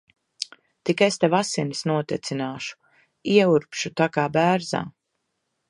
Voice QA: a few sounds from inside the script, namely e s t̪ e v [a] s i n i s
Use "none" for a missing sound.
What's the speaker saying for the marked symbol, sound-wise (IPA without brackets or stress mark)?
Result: a